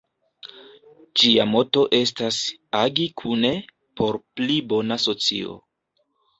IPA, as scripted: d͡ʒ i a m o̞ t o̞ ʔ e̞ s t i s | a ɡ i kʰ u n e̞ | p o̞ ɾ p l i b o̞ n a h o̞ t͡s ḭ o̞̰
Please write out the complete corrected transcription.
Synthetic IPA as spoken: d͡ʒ i a m o̞ t o̞ ʔ e̞ s t a s | a ɡ i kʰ u n e̞ | p o̞ ɾ p l i b o̞ n a s o̞ t͡s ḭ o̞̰